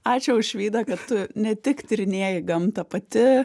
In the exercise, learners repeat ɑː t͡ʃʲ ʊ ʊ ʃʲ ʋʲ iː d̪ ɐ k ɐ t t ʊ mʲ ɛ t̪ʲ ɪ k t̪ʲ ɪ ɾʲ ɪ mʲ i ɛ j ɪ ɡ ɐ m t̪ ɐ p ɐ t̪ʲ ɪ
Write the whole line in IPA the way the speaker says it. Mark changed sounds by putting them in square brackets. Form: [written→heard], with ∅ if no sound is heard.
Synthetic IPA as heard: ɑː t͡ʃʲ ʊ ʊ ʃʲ ʋʲ iː d̪ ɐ k ɐ t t ʊ [mʲ→nʲ] ɛ t̪ʲ ɪ k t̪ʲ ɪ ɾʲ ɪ [mʲ→nʲ] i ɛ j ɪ ɡ ɐ m t̪ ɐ p ɐ t̪ʲ ɪ